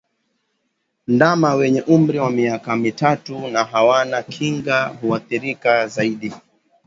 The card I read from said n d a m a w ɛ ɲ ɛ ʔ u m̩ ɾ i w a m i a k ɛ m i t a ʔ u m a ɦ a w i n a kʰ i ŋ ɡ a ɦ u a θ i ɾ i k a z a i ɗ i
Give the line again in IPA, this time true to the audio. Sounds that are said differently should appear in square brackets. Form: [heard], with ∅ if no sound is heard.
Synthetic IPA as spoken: n d a m a w ɛ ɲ ɛ ʔ u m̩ ɾ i w a m i a k [a] m i t a [t] u [n] a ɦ a w [a] n a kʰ i ŋ ɡ a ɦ u a θ i ɾ i k a z a i ɗ i